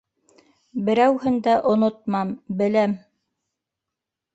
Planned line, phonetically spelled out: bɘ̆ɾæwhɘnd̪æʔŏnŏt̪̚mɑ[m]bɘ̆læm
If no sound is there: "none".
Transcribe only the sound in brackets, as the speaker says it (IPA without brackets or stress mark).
m